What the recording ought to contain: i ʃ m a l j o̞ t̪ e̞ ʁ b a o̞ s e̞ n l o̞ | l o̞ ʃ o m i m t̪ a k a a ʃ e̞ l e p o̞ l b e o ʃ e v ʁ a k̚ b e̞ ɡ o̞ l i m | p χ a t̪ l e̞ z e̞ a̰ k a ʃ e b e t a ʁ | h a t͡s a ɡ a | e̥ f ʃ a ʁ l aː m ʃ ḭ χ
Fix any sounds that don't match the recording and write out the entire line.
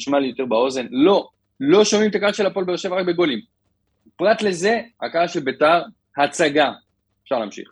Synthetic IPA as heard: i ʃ m a l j o̞ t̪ e̞ ʁ b a o̞ z e̞ n l o̞ | l o̞ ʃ o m i m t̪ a k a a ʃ e̞ l a p o̞ l b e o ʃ e v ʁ a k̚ b e̞ ɡ o̞ l i m | p ʁ a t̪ l e̞ z e̞ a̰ k a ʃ e b e t a ʁ | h a t͡s a ɡ a | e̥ f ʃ a ʁ l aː m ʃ ḭ χ